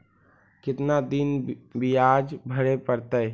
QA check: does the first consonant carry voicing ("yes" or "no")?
no